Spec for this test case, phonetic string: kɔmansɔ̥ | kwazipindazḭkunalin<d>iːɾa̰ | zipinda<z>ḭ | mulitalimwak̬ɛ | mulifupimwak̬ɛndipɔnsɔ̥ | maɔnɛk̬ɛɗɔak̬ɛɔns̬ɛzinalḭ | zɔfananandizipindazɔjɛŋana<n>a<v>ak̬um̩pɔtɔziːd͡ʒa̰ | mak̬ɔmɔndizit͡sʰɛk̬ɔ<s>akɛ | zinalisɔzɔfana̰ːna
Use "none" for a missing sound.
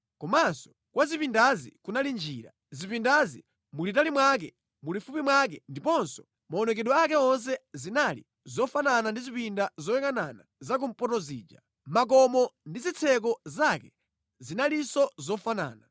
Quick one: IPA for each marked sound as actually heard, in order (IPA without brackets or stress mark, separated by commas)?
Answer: d͡ʒ, z, n, z, z